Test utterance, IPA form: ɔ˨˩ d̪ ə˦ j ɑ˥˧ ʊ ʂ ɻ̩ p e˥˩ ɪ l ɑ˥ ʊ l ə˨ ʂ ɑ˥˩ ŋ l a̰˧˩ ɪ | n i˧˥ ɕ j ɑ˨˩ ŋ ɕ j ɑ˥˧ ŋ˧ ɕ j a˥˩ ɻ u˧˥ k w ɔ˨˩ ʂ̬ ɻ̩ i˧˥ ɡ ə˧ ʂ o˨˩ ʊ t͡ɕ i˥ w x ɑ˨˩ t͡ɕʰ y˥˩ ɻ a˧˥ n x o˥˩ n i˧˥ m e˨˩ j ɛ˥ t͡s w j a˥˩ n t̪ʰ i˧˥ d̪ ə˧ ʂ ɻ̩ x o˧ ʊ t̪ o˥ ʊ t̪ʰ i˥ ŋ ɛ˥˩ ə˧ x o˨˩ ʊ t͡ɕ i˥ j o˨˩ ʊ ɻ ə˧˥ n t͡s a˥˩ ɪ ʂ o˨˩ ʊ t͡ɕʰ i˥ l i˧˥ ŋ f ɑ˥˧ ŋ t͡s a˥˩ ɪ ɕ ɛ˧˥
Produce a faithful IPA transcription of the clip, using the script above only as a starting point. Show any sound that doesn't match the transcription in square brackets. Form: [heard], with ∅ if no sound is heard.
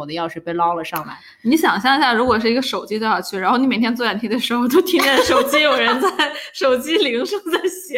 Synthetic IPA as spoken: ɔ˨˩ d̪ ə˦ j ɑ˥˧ ʊ ʂ ɻ̩ p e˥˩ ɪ l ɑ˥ ʊ l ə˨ ʂ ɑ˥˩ ŋ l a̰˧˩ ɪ | n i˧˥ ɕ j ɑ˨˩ ŋ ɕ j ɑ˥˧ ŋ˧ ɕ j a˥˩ ɻ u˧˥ k w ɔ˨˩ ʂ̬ ɻ̩ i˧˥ ɡ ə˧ ʂ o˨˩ ʊ t͡ɕ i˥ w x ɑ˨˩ t͡ɕʰ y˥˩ ɻ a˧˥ n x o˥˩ n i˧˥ m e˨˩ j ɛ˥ t͡s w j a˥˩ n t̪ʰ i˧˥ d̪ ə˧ ʂ ɻ̩ x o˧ ʊ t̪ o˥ ʊ t̪ʰ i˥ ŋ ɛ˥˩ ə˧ [ʂ] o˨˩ ʊ t͡ɕ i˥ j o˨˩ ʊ ɻ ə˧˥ n t͡s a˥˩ ɪ ʂ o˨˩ ʊ [t͡ɕ] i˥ l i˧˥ ŋ [ʂ] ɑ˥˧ ŋ t͡s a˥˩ ɪ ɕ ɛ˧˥